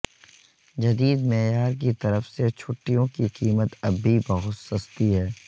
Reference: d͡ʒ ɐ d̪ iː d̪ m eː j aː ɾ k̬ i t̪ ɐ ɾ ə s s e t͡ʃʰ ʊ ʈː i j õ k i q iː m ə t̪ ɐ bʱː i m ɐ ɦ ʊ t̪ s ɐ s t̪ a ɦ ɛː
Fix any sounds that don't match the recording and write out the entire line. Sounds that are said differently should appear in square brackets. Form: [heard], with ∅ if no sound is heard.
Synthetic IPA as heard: d͡ʒ ɐ d̪ iː d̪ m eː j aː ɾ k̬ i t̪ ɐ ɾ ə [f] s e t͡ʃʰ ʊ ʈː i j õ k i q iː m ə t̪ ɐ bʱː i [b] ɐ ɦ ʊ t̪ s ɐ s t̪ [i] ɦ ɛː